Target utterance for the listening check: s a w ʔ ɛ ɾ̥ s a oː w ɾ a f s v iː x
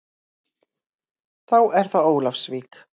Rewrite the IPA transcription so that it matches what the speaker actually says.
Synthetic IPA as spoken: θ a w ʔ ɛ ɾ̥ θ a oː w l a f s v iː k

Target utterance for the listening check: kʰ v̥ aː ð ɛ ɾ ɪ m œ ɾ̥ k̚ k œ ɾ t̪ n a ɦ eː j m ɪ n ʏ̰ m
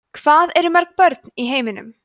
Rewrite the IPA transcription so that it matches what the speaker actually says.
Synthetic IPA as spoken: kʰ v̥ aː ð ɛ ɾ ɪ m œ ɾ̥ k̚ p œ ɾ t̪ n i ɦ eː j m ɪ n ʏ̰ m

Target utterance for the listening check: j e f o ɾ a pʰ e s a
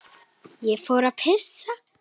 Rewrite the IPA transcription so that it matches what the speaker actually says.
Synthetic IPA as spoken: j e f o ɾ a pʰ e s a

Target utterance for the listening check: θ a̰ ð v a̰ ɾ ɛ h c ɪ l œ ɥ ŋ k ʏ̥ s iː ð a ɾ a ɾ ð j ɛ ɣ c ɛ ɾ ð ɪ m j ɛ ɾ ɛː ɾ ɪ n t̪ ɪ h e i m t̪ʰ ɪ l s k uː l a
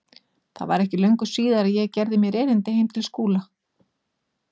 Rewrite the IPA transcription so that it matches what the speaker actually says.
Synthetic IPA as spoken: θ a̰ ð v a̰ ɾ ɛ h c ɪ l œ ɥ ŋ k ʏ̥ s iː ð a ɾ a ð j ɛ ɣ c ɛ ɾ ð ɪ m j ɛ ɾ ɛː ɾ ɪ n t̪ ɪ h e j m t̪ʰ ɪ l s k uː l a

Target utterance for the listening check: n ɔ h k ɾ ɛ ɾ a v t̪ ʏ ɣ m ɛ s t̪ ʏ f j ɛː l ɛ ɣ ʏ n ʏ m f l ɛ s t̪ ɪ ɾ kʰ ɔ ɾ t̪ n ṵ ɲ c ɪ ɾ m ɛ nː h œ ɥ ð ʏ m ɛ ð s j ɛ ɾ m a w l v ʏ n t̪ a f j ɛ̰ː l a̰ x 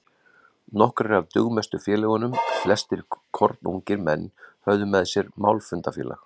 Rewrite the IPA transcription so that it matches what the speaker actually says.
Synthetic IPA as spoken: n ɔ h k ɾ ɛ ɾ a v t̪ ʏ ɣ m ɛ s t̪ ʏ f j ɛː l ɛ ɣ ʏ n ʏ m f l ɛ s t̪ ɪ ɾ kʰ ɔ ɾ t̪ n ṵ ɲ c ɪ ɾ m ɛ nː h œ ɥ ð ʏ m ɛ ð s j ɛ ɾ m a w l f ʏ n t̪ a f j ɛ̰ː l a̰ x

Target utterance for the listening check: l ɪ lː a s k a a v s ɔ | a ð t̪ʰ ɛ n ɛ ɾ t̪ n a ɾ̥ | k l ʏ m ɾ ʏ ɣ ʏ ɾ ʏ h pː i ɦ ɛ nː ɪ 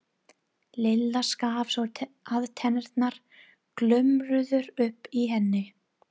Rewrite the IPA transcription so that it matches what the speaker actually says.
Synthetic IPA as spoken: l ɪ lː a s k a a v s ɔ | a ð t̪ʰ ɛ n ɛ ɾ t̪ n a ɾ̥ | k l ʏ m ɾ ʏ ð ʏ ɾ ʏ h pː i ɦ ɛ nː ɪ

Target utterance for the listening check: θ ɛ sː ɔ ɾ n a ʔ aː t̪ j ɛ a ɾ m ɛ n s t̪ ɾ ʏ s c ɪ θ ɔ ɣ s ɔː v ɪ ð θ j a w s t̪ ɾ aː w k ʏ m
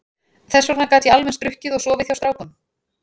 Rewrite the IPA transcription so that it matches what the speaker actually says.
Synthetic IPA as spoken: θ ɛ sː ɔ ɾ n a k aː t̪ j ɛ a l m ɛ n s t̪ ɾ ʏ h c ɪ ð ɔ ɣ s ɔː v ɪ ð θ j a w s t̪ ɾ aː w k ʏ m

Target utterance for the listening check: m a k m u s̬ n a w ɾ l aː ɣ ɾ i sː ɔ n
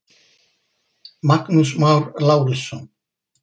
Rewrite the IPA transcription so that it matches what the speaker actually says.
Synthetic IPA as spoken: m a k n u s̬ m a w ɾ l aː w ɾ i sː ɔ n

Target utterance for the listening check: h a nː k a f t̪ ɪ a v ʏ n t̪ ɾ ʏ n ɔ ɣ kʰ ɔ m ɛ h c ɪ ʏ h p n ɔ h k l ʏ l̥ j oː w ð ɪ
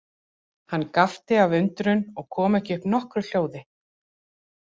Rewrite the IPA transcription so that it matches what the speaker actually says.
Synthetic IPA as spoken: h a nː k a f t̪ ɪ a v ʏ n t̪ ɾ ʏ n ɔ ɣ kʰ ɔː m ɛ h c ɪ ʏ h p n ɔ h k ɾ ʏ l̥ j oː w ð ɪ

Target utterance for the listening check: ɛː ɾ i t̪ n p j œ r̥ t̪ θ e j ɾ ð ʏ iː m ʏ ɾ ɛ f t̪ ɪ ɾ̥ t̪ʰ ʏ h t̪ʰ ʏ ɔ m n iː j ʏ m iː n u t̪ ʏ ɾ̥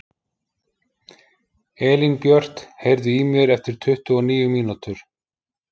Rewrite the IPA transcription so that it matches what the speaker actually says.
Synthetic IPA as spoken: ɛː l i n p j œ r̥ t̪ h e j ɾ ð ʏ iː m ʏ ɾ ɛ f t̪ ɪ ɾ̥ t̪ʰ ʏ h t̪ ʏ ɔ n iː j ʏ m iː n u t̪ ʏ ɾ̥

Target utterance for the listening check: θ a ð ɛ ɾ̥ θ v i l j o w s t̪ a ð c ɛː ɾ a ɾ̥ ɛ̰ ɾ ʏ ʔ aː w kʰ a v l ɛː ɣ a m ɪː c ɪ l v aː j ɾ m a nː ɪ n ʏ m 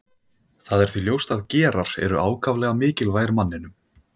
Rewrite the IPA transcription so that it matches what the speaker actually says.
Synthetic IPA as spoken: θ a ð ɛ ɾ̥ θ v i l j o w s t̪ a ð c ɛː ɾ a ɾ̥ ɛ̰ ɾ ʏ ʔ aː w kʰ a v l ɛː ɣ a m ɪː c ɪ l v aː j ɾ m a nː ɪ n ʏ m

